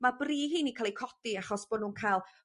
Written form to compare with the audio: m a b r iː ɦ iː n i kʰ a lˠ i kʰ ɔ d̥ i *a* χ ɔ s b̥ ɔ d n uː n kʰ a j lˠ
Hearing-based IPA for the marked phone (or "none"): a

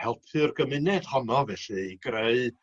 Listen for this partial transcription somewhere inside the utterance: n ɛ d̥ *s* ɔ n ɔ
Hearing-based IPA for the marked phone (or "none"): h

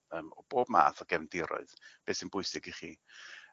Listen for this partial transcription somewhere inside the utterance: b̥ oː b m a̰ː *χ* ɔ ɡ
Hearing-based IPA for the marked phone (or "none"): θ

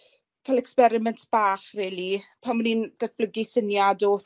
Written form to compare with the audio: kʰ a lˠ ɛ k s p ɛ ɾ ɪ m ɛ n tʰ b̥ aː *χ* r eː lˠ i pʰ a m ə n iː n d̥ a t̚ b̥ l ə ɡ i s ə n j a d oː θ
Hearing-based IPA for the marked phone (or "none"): χ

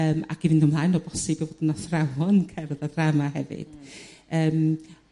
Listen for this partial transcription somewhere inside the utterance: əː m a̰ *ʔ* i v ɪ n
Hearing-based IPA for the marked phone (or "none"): k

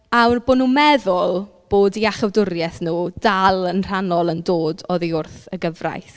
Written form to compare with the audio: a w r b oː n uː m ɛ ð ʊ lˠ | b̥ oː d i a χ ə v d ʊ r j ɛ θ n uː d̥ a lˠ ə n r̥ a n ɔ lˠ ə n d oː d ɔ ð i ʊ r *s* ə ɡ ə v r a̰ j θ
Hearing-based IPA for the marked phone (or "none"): θ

